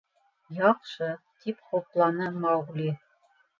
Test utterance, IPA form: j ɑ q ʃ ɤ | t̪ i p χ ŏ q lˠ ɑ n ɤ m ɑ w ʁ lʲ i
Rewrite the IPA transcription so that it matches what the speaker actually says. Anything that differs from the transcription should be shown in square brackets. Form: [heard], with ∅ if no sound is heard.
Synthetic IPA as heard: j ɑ q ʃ ɤ | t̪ i p χ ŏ [p] lˠ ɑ n ɤ m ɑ w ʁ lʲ i